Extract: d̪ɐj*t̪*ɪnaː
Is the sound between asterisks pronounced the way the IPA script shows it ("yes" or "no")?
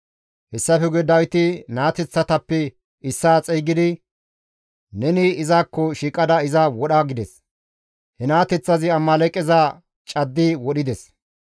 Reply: yes